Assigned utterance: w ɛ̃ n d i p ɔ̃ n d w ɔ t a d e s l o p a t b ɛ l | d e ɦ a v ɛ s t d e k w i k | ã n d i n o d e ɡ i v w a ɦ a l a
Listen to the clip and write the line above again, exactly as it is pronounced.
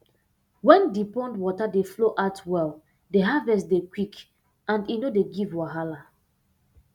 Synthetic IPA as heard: w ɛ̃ n d i p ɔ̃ n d w ɔ t a d e f l o ʔ a t w ɛ l | d e ɦ a v ɛ s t d e k w i k | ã n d i n o d e ɡ i v w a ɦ a l a